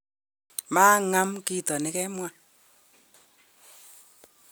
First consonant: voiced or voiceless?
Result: voiced